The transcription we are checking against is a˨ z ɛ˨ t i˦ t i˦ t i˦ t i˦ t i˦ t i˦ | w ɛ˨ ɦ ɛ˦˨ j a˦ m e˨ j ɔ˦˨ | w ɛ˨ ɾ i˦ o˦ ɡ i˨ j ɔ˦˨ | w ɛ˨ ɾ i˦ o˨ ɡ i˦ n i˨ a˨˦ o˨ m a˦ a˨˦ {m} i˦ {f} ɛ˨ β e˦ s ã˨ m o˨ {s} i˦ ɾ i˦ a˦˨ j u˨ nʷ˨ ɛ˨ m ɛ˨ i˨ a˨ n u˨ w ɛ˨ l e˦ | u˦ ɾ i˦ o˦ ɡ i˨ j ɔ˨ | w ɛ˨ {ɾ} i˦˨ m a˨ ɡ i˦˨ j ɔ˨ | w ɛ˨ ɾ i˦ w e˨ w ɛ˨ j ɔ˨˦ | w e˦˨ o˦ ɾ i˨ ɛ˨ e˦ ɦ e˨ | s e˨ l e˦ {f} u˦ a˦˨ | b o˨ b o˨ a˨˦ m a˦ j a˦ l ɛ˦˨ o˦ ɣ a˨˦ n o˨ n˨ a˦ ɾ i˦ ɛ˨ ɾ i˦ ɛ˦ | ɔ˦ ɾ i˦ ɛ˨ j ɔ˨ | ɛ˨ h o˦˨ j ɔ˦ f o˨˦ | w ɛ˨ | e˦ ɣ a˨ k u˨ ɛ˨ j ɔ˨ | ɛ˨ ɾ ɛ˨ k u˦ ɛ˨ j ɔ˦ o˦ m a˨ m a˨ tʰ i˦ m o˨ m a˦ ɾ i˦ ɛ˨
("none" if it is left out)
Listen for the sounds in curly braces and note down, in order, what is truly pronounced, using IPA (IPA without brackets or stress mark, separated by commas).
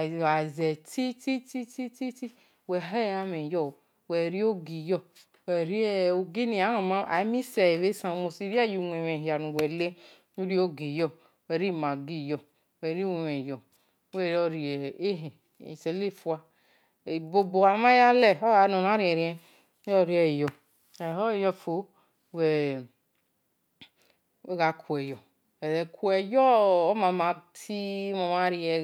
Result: m, s, s, ɾ, f